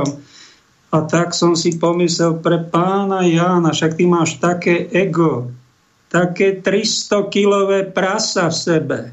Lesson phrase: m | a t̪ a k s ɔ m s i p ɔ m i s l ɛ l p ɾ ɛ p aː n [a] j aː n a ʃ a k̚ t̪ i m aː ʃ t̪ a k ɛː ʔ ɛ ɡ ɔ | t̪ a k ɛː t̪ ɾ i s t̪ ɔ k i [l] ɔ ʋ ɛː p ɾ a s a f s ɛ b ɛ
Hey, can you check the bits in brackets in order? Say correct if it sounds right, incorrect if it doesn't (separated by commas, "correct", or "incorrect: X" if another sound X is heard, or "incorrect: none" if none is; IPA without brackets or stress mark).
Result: correct, correct